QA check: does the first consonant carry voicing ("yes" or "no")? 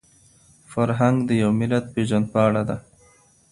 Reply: no